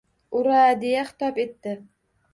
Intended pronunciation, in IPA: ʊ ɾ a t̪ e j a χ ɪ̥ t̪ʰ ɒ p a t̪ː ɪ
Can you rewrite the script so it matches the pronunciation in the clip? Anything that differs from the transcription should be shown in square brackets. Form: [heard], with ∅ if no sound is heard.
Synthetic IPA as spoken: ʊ ɾ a [d̪] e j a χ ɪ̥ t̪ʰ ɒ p [e] t̪ː ɪ